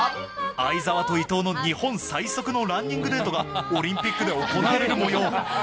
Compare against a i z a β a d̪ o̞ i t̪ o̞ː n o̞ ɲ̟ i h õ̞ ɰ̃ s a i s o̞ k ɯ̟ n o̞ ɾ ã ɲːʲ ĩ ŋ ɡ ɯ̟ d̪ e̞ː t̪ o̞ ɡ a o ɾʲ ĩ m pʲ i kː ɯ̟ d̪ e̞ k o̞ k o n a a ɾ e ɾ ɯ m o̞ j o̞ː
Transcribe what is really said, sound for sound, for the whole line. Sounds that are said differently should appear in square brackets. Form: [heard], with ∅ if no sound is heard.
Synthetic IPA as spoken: a i z a β a [t̪] o̞ i t̪ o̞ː n o̞ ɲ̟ i h õ̞ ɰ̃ s a i s o̞ k ɯ̟ n o̞ ɾ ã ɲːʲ ĩ ŋ ɡ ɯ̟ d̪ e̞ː t̪ o̞ ɡ a o ɾʲ ĩ m pʲ i kː ɯ̟ d̪ e̞ [∅] o̞ k o n a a ɾ e ɾ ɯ m o̞ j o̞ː